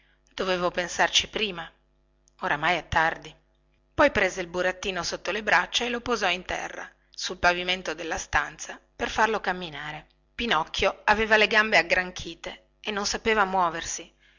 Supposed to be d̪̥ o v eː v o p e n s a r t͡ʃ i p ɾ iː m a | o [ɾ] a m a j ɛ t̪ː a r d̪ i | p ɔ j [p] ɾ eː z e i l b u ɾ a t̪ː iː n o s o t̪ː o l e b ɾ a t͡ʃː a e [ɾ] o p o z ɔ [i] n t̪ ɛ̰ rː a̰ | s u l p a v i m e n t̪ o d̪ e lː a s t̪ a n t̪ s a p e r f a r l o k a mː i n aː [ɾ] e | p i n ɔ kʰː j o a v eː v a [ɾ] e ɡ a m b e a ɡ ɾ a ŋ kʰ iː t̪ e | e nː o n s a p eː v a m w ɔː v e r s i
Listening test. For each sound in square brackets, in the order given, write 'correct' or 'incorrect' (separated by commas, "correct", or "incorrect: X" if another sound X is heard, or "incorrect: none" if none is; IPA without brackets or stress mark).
correct, correct, incorrect: l, correct, correct, incorrect: l